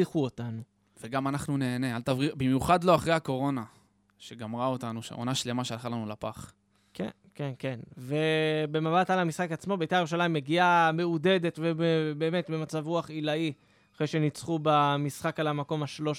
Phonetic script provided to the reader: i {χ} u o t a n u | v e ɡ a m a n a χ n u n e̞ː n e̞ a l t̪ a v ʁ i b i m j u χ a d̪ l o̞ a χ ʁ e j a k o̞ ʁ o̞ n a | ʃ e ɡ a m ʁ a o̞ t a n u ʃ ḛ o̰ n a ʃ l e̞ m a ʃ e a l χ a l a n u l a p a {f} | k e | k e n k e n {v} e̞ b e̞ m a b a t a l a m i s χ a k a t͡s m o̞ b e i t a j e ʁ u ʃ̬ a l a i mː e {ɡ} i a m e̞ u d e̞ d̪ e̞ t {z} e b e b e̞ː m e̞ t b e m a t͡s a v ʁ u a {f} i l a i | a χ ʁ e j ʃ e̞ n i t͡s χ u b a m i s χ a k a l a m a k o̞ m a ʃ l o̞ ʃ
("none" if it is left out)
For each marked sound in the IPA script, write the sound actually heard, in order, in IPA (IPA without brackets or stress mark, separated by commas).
χ, χ, v, ɡ, v, χ